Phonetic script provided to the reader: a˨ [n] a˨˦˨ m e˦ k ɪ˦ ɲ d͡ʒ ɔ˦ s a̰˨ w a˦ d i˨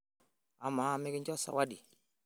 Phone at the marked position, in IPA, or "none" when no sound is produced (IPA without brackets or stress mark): m